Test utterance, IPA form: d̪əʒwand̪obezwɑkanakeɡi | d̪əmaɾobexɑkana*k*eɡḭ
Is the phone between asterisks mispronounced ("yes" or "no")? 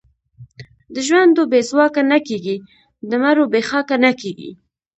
no